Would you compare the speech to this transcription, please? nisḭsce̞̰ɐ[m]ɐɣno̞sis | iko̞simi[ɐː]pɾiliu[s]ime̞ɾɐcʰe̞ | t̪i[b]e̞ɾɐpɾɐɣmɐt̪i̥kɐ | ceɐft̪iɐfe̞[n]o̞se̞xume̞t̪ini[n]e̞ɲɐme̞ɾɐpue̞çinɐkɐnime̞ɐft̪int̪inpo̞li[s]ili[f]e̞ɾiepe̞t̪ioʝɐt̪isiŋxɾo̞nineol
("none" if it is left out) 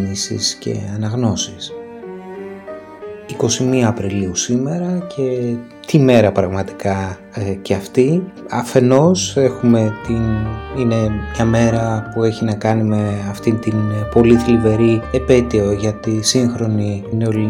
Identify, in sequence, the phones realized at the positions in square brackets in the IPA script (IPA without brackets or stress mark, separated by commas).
n, ɐː, s, m, n, n, θ, v